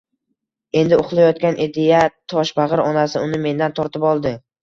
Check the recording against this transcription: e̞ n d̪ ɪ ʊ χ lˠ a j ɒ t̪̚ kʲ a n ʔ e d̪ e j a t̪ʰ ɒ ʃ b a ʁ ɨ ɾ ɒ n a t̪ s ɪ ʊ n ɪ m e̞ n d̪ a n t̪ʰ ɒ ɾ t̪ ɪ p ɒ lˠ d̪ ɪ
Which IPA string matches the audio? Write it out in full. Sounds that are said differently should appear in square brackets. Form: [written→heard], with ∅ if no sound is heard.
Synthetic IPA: e̞ n d̪ ɪ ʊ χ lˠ a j ɒ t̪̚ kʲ a n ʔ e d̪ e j a t̪ʰ ɒ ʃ b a ʁ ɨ ɾ ɒ n a [t̪→∅] s ɪ ʊ n ɪ m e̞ n d̪ a n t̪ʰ ɒ ɾ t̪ ɪ p ɒ lˠ d̪ ɪ